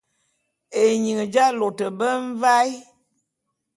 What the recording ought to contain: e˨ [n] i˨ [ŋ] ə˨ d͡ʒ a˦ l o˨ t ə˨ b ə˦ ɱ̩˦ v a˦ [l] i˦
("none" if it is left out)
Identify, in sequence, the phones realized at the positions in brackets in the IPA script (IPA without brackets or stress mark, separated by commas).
ɲ, ŋ, none